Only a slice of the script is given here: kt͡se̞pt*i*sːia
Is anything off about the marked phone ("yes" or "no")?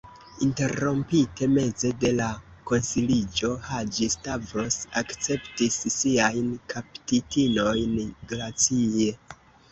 no